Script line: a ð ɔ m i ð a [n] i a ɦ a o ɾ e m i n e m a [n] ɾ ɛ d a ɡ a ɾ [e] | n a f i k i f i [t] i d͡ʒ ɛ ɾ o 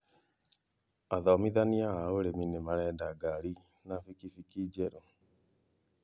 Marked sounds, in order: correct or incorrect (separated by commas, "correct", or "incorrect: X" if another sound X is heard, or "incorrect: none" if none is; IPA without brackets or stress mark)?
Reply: correct, incorrect: none, incorrect: i, incorrect: k